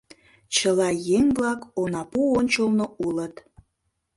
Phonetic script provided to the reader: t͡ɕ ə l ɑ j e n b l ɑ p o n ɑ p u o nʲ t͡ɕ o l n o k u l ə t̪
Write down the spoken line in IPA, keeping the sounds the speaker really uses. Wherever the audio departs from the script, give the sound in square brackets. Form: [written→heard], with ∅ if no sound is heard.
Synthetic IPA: t͡ɕ ə l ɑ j e [n→ŋ] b l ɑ [p→k] o n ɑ p u o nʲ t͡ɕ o l n o [k→∅] u l ə t̪